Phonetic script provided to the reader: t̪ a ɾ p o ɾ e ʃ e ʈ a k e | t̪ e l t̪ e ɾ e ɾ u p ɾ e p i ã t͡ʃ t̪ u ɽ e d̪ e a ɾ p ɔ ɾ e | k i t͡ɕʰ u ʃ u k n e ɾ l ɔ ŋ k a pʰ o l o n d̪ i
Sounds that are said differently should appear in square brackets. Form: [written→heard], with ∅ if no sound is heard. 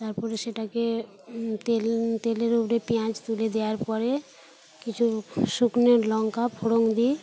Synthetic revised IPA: t̪ a ɾ p [o→ɔ] ɾ e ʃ e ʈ a k e | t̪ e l t̪ e [ɾ→l] e ɾ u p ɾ e p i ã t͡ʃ t̪ u [ɽ→l] e d̪ e a ɾ p ɔ ɾ e | k i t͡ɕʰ u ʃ u k n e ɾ l ɔ ŋ k a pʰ o [l→ɽ] o [n→ŋ] d̪ i

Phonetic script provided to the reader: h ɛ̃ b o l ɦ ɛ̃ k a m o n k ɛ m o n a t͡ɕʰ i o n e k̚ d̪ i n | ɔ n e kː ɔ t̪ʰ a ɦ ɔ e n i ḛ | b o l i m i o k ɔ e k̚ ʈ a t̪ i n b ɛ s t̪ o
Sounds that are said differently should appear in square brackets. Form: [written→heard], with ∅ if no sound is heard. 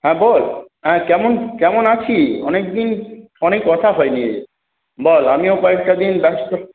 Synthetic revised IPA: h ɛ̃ b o l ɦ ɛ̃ k [a→ɛ] m o n k ɛ m o n a t͡ɕʰ i [o→ɔ] n e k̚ d̪ i n | ɔ n e kː ɔ t̪ʰ a ɦ ɔ e n i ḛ | b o l [i→a] m i o k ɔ e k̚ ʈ a [t̪→d̪] i n b ɛ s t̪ o

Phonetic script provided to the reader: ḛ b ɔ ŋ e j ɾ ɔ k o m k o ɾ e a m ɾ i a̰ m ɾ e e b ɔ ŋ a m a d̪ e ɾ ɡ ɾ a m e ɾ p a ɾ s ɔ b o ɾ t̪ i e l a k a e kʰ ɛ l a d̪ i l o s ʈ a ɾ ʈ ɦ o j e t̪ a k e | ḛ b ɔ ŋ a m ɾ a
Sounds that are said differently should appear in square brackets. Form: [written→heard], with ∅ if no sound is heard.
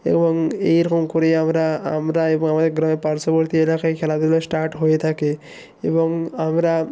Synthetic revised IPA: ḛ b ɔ ŋ e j ɾ ɔ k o m k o ɾ e a m ɾ [i→a] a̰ m ɾ [e→a] e b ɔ ŋ a m a d̪ e ɾ ɡ ɾ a m e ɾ p a ɾ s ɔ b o ɾ t̪ i e l a k a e kʰ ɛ l a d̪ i l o s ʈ a ɾ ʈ ɦ o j e [t̪→t̪ʰ] a k e | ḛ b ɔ ŋ a m ɾ a

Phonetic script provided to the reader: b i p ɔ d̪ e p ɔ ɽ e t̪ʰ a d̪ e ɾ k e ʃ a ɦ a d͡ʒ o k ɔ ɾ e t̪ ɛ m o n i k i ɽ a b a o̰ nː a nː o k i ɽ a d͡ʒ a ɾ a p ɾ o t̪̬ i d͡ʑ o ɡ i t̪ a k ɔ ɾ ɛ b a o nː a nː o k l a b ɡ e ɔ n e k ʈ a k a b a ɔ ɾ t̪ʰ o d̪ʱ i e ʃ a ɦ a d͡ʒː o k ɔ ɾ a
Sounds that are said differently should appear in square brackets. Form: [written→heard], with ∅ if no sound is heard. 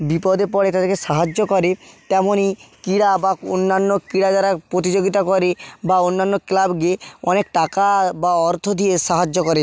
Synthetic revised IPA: b i p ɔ d̪ e p ɔ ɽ e [t̪ʰ→t̪] a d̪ e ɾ k e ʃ a ɦ a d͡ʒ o k ɔ ɾ e t̪ ɛ m o n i k i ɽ a b a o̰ nː a nː o k i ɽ a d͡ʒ a ɾ a p ɾ o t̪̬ i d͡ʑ o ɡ i t̪ a k ɔ ɾ [ɛ→e] b a o nː a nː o k l a b ɡ e ɔ n e k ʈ a k a b a ɔ ɾ t̪ʰ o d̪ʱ i e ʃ a ɦ a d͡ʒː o k ɔ ɾ [a→e]

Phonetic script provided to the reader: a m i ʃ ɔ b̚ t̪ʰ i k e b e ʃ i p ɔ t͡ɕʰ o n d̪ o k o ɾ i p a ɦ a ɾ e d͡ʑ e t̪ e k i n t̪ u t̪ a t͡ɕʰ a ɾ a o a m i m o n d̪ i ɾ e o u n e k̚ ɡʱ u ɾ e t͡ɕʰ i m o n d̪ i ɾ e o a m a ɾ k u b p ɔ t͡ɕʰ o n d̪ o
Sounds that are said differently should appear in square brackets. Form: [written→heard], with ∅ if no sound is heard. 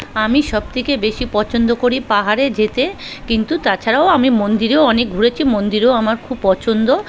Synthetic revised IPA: a m i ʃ ɔ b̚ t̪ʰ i k e b e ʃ i p ɔ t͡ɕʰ o n d̪ o k o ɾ i p a ɦ a ɾ e d͡ʑ e t̪ e k i n t̪ u t̪ a t͡ɕʰ a ɾ a o a m i m o n d̪ i ɾ e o [u→ɔ] n e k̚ ɡʱ u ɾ e t͡ɕʰ i m o n d̪ i ɾ e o a m a ɾ [k→kʰ] u b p ɔ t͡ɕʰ o n d̪ o

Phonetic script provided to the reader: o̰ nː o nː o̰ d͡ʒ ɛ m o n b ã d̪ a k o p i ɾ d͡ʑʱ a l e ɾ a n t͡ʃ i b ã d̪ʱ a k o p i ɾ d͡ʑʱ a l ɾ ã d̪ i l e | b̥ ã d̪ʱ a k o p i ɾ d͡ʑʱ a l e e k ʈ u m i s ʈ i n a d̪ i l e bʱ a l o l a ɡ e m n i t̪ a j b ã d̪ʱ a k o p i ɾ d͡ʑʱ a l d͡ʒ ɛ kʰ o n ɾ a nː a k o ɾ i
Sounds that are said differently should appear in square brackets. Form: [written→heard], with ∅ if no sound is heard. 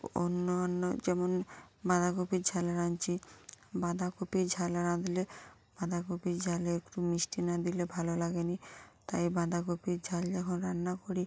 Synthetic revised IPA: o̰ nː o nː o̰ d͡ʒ ɛ m o n b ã d̪ a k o p i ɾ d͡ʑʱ a l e ɾ a n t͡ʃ i b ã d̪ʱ a k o p i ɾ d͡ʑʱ a l ɾ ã d̪ i l e | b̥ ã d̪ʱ a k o p i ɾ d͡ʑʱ a l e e k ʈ u m i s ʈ i n a d̪ i l e bʱ a l o l a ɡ e [m→∅] n i t̪ a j b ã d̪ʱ a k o p i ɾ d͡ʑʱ a l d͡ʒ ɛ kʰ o n ɾ a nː a k o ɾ i

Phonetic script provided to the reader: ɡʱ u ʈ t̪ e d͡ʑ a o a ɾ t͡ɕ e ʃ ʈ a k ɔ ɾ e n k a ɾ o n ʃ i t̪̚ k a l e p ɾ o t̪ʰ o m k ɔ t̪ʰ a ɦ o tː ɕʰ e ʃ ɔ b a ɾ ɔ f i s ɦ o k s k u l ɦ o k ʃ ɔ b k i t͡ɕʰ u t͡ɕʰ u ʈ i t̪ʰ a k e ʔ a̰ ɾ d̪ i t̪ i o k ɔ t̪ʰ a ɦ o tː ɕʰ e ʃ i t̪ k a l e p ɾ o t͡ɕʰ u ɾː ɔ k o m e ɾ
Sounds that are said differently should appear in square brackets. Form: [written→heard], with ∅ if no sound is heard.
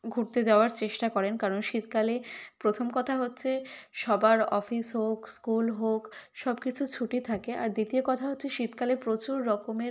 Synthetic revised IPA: ɡʱ u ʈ t̪ e d͡ʑ a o a ɾ t͡ɕ e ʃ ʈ a k ɔ ɾ e n k a ɾ o n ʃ i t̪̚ k a l e p ɾ o t̪ʰ o m k ɔ t̪ʰ a ɦ o tː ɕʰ e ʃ ɔ b a ɾ ɔ f i s ɦ o k s k u l ɦ o k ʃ ɔ b k i t͡ɕʰ u t͡ɕʰ u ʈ i t̪ʰ a k e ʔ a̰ ɾ d̪ i t̪ i o k ɔ t̪ʰ a ɦ o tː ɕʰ e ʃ i t̪ k a l e p ɾ o [t͡ɕʰ→t͡ɕ] u ɾː ɔ k o m e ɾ

